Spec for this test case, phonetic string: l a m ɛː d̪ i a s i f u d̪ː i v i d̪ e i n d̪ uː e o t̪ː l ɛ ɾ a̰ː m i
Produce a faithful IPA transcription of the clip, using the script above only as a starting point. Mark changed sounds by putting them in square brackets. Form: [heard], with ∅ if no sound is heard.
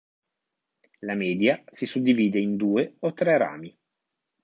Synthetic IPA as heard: l a m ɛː d̪ [j] a s i [s] u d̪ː i v [iː] d̪ e i n d̪ uː e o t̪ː [ɾ] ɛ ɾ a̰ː m i

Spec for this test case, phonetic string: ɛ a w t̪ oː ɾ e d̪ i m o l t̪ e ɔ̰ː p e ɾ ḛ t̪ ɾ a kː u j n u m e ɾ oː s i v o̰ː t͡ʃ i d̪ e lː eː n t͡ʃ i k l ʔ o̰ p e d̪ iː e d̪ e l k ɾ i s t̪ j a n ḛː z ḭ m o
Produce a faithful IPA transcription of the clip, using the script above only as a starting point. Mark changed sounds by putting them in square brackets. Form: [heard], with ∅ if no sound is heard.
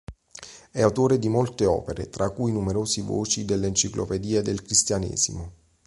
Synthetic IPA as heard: ɛ a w t̪ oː ɾ e d̪ i m o l t̪ e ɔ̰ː p e ɾ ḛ t̪ ɾ a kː u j n u m e ɾ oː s i v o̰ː t͡ʃ i d̪ e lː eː n t͡ʃ i k l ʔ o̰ p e d̪ iː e d̪ e l k ɾ i s t̪ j a n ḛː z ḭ m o

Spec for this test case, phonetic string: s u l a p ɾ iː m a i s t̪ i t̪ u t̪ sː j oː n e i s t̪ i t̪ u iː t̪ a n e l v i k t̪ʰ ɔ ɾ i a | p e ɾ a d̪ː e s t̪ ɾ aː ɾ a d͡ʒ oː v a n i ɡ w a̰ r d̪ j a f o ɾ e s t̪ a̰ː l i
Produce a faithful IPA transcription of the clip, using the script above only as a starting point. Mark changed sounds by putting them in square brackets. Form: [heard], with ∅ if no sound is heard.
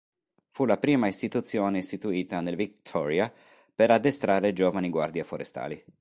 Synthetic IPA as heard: [f] u l a p ɾ iː m a i s t̪ i t̪ u t̪ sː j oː n e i s t̪ i t̪ u iː t̪ a n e l v i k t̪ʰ ɔ ɾ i a | p e ɾ a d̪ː e s t̪ ɾ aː ɾ [e] d͡ʒ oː v a n i ɡ w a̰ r d̪ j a f o ɾ e s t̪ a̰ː l i

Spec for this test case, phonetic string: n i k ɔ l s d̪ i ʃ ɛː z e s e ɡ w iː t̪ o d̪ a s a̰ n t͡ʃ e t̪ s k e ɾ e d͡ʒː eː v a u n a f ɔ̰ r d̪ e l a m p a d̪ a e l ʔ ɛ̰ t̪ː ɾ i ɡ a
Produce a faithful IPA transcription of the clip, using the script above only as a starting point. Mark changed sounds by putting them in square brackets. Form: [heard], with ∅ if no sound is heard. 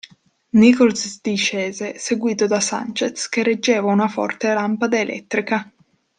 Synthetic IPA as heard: n i k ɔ l s d̪ i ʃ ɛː z e s e ɡ w iː t̪ o d̪ a s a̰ n t͡ʃ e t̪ s k e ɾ e d͡ʒː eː v a u n a f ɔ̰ r [t̪] e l a m p a d̪ a e l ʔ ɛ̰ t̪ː ɾ i [k] a

